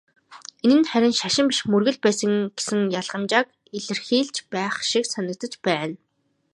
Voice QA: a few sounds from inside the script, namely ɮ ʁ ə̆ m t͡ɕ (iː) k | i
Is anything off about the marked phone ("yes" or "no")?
yes